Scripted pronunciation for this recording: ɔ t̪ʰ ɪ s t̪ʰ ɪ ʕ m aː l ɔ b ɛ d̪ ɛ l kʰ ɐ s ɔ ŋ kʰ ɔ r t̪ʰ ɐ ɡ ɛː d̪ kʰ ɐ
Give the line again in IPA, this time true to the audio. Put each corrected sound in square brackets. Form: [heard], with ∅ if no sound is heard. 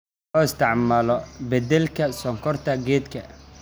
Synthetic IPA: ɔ [∅] ɪ s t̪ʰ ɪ ʕ m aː l ɔ b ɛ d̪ ɛ l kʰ ɐ s ɔ ŋ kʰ ɔ r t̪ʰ ɐ ɡ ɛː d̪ kʰ ɐ